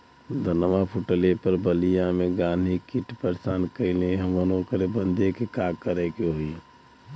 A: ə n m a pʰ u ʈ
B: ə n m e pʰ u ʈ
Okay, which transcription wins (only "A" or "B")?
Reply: A